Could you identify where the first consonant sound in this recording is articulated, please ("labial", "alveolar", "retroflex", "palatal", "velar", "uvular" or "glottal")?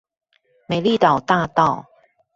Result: labial